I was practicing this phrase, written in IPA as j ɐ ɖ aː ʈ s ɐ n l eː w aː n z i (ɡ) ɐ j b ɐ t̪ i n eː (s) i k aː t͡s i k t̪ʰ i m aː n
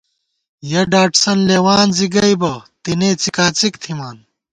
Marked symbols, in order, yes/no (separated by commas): yes, no